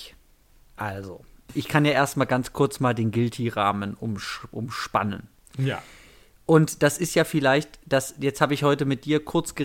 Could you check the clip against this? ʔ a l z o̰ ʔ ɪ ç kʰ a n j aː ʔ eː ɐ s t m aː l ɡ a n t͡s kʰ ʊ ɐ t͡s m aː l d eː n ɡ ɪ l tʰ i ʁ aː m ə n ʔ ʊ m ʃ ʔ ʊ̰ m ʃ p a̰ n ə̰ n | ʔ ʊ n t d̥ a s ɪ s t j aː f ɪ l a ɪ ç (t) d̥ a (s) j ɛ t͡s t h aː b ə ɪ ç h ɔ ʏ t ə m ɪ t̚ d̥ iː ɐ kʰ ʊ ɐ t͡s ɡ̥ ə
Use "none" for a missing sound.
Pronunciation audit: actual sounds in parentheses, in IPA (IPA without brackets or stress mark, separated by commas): t, s